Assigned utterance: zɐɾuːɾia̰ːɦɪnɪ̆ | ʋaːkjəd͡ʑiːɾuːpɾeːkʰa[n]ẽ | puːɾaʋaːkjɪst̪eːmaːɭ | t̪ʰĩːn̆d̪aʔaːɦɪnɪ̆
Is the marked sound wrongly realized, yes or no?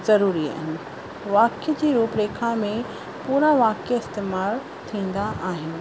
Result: yes